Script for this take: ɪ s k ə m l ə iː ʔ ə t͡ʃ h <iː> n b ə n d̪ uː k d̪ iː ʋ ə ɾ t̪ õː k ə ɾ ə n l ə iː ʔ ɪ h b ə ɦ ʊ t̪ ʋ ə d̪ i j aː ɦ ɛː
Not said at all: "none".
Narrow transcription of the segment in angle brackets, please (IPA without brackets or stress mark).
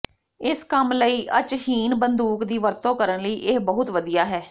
iː